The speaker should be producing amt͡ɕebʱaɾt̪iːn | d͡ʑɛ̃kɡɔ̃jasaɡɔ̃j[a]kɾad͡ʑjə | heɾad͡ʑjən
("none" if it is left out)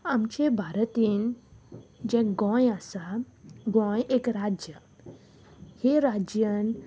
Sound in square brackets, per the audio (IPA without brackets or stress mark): e